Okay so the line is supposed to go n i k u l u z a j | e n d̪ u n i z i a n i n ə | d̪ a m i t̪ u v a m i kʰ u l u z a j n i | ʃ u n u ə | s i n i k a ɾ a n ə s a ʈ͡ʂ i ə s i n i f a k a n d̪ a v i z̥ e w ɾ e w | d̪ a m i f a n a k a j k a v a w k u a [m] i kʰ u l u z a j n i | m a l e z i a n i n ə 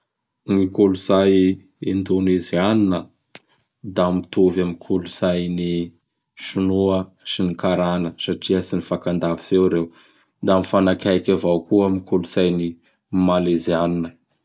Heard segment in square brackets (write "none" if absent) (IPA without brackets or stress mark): m